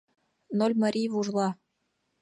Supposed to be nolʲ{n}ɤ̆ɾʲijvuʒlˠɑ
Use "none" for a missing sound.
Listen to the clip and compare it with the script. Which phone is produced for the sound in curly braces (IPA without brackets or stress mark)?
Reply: m